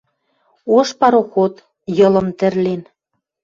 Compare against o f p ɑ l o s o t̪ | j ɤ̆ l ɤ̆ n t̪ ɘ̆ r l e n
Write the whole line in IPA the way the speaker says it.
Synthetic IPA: o ʃ p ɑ ɾ o x o t̪ | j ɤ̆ l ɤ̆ m t̪ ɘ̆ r l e n